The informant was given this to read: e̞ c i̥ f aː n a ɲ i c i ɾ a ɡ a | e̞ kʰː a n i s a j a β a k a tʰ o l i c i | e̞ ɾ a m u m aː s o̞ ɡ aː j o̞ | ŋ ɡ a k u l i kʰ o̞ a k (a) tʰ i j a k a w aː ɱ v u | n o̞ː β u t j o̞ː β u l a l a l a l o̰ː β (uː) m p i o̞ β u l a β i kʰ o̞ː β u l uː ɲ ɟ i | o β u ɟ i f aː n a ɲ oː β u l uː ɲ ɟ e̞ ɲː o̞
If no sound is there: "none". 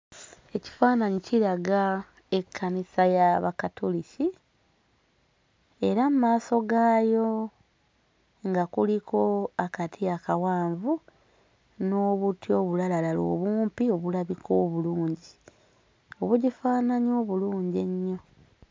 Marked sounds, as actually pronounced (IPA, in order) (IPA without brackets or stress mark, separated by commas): a, uː